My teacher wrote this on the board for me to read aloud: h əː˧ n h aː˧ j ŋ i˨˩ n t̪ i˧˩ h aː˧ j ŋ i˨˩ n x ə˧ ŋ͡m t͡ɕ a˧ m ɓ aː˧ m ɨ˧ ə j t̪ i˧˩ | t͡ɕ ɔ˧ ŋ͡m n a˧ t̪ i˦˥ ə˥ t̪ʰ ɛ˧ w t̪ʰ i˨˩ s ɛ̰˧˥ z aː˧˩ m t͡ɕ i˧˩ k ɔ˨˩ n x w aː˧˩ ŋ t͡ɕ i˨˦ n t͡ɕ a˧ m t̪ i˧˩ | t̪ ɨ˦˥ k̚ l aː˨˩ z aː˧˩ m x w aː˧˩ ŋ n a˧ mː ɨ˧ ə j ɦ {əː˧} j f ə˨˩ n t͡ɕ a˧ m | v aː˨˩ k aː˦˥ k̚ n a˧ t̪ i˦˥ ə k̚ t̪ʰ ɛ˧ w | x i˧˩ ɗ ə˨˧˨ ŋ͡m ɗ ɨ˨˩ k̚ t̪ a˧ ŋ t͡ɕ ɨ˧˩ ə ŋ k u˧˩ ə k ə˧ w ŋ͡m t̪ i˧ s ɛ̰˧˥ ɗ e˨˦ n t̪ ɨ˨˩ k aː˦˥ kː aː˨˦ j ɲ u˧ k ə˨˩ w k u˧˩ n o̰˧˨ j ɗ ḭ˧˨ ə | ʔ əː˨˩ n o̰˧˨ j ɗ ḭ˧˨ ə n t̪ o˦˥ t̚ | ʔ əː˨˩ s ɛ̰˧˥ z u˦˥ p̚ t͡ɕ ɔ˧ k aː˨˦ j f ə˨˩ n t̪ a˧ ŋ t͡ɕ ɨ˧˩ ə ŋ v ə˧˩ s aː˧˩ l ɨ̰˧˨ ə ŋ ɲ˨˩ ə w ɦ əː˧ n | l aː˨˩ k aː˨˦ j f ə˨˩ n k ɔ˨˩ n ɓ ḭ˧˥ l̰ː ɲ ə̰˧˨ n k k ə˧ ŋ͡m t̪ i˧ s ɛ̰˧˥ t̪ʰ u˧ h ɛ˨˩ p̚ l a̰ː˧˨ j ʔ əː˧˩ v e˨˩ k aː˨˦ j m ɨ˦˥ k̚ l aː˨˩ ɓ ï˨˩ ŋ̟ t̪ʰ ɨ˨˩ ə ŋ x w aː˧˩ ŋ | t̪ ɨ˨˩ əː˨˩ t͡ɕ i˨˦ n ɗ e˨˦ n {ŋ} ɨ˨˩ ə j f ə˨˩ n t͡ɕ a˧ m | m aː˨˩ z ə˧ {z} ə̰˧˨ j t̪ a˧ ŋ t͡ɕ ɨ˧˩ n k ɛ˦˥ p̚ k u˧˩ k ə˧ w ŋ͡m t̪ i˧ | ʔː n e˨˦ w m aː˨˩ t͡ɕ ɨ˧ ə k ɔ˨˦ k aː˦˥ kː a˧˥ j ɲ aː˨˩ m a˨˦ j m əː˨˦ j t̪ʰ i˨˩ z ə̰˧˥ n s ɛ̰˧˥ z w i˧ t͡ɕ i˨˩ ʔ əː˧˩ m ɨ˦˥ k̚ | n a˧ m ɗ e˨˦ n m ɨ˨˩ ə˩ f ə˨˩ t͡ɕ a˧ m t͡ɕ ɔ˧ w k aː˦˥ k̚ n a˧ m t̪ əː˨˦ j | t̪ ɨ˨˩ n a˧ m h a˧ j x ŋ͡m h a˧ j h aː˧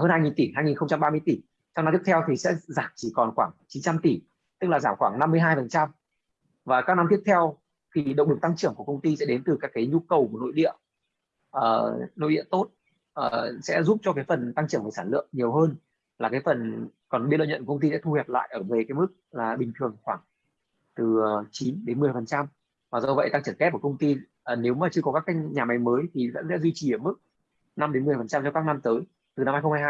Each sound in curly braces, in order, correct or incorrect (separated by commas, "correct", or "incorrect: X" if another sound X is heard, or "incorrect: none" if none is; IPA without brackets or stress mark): incorrect: aː˧, incorrect: m, incorrect: v